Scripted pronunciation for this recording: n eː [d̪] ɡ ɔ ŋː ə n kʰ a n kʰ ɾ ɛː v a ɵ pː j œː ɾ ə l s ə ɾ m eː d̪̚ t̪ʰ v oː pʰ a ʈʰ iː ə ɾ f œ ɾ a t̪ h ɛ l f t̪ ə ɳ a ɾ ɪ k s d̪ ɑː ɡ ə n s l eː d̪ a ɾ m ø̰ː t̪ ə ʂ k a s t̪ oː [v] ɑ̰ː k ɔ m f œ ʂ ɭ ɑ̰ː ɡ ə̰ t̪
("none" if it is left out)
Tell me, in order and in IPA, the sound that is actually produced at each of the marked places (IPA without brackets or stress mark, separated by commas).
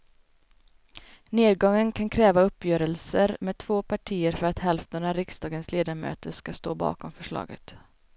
d̪, b